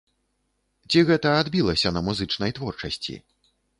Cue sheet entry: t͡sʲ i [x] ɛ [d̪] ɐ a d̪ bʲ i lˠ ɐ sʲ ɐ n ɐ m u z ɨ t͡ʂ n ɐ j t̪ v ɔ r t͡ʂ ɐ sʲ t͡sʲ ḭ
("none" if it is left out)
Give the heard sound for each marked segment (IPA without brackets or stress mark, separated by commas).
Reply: ɣ, t̪